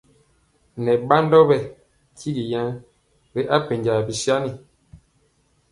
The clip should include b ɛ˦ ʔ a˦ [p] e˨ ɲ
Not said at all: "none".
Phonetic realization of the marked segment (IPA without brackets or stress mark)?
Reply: p